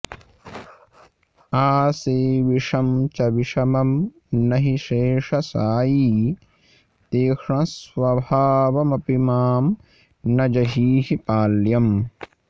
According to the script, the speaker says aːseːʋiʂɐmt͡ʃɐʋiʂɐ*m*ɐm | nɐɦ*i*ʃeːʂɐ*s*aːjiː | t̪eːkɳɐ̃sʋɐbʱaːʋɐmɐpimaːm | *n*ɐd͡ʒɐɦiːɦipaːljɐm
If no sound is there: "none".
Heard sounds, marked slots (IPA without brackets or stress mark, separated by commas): m, i, s, n